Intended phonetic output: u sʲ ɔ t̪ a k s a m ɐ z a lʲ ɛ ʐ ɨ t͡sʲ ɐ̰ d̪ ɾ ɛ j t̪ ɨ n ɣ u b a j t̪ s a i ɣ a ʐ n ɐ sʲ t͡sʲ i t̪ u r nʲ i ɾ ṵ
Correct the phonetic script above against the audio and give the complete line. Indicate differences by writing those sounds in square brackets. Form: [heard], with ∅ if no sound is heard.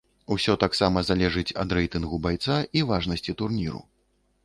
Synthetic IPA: u sʲ ɔ t̪ a k s a m ɐ z a lʲ ɛ ʐ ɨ t͡sʲ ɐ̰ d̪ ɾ ɛ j t̪ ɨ n ɣ u b a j t̪ s a i [v] a ʐ n ɐ sʲ t͡sʲ i t̪ u r nʲ i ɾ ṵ